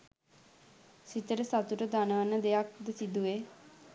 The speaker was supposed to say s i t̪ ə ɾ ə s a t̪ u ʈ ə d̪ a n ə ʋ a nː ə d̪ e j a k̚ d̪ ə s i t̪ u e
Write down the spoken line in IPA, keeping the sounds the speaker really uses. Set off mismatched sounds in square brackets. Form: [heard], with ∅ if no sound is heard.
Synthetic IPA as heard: s i t̪ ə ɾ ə s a t̪ u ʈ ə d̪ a n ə ʋ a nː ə d̪ e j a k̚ d̪ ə s i [d̪] u e